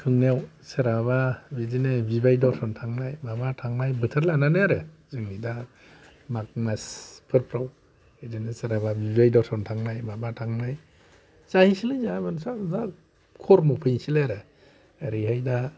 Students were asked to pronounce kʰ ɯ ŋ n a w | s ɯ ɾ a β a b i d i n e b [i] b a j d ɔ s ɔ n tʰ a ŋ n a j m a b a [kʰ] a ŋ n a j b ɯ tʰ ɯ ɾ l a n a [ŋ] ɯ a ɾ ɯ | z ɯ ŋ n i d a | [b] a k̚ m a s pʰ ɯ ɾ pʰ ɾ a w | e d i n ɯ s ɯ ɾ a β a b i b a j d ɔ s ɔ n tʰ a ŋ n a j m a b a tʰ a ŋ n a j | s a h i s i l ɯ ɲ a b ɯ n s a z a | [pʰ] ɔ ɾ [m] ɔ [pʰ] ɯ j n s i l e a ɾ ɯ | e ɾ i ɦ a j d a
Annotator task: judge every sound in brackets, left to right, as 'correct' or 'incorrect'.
correct, incorrect, incorrect, incorrect, incorrect, correct, correct

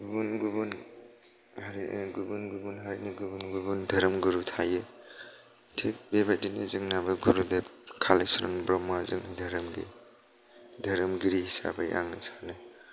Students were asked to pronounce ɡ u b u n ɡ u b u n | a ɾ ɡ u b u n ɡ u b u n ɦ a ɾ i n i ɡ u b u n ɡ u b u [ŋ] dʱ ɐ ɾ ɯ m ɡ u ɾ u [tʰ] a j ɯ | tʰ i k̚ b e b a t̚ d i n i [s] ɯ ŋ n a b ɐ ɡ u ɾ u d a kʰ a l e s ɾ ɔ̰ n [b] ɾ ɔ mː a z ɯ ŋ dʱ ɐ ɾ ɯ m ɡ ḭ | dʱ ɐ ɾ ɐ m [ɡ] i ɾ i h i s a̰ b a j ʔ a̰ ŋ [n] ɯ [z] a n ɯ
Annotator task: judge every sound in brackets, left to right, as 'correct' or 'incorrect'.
incorrect, correct, incorrect, correct, correct, correct, incorrect

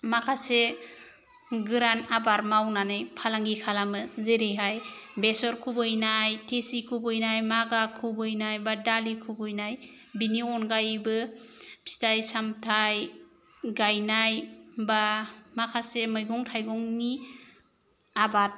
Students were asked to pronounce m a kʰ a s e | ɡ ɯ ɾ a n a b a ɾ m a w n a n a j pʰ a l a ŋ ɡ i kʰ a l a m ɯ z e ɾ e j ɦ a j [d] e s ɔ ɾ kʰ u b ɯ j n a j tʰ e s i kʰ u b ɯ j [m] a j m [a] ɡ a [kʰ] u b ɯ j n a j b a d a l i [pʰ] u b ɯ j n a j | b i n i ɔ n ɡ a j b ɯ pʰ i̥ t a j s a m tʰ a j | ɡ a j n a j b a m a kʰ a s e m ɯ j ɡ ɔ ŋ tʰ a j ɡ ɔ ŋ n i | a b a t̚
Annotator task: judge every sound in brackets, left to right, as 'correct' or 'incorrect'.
incorrect, incorrect, correct, correct, incorrect

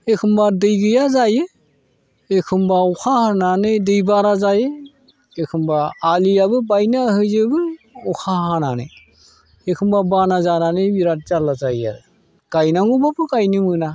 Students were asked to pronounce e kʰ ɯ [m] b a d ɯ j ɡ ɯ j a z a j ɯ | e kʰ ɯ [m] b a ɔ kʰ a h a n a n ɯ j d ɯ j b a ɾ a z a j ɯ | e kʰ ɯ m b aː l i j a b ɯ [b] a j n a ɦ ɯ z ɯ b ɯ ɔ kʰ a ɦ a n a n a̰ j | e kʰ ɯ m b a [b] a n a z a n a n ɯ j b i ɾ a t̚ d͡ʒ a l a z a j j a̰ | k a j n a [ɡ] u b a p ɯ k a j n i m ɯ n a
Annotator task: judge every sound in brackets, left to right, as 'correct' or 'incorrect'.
correct, correct, correct, correct, incorrect

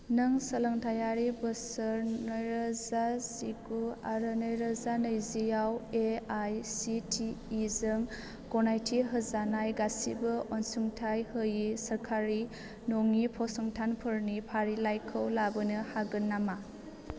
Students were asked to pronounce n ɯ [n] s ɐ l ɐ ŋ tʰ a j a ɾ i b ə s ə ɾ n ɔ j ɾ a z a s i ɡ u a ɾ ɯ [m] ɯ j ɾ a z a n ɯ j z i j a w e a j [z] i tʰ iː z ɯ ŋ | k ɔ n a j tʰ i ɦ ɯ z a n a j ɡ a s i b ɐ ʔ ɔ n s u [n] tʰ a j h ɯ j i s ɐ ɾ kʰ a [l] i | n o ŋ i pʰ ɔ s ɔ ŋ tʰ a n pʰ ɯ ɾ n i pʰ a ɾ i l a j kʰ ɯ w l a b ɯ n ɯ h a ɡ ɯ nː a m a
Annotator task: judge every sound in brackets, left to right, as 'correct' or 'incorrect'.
incorrect, incorrect, incorrect, incorrect, incorrect

